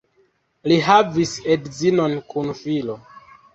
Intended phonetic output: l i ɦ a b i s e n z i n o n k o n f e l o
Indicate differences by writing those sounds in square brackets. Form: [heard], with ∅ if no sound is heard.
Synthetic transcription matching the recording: l i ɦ a [v] i s e [d] z i n o n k [u] n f [i] l o